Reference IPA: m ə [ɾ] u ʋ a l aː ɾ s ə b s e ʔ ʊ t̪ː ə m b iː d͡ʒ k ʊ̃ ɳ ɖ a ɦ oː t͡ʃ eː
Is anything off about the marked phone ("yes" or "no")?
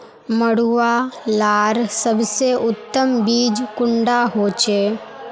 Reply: yes